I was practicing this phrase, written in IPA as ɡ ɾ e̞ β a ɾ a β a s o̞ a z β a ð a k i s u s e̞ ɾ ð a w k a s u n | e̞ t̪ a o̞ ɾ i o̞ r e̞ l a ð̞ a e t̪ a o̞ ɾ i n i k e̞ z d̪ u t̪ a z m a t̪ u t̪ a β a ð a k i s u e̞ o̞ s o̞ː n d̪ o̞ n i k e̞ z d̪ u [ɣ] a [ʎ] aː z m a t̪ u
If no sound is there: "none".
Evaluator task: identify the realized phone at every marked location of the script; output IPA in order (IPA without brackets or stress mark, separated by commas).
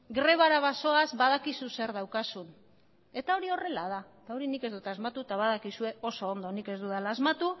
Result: ð, l